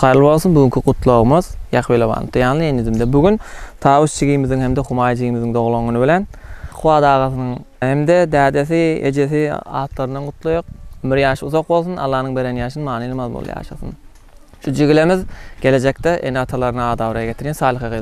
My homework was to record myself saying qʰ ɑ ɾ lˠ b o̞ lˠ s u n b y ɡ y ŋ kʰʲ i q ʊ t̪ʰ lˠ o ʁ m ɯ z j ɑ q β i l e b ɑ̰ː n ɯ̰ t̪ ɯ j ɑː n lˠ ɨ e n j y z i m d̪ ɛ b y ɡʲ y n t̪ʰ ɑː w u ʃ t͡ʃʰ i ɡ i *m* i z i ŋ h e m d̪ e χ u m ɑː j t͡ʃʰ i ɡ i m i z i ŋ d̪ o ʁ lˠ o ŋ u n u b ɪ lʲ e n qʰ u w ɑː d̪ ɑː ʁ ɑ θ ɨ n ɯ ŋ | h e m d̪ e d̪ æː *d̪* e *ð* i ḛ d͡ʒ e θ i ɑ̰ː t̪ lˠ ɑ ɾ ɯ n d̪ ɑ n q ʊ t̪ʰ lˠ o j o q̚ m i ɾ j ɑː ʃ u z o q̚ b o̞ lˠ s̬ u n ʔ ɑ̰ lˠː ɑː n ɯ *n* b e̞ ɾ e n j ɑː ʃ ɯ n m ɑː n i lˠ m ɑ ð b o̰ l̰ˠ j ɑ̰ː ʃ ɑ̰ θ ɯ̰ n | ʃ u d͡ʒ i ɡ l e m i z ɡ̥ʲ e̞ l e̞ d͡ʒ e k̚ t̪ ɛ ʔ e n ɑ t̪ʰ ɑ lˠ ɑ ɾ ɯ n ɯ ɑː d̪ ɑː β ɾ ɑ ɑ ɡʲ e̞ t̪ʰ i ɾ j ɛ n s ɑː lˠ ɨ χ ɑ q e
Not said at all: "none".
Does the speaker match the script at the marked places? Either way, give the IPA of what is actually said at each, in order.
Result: m, d̪, θ, ŋ

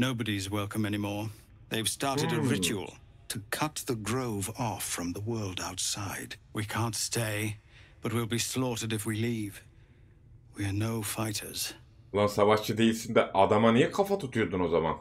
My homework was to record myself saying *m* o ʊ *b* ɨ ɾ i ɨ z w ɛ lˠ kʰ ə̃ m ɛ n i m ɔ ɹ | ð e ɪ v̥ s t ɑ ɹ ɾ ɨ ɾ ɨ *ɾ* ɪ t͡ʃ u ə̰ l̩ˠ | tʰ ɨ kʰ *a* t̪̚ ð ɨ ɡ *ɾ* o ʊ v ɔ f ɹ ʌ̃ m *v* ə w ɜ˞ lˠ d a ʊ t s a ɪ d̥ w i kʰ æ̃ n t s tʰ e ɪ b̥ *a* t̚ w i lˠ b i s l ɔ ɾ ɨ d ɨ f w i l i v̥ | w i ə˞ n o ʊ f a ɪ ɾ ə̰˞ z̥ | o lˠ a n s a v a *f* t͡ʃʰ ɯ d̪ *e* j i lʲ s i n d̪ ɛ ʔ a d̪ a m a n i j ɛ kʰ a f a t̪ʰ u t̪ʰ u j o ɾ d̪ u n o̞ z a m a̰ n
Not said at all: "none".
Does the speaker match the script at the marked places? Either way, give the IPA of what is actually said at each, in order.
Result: n, b, ɹ, ʌ, ɹ, ð, ʌ, ʃ, e

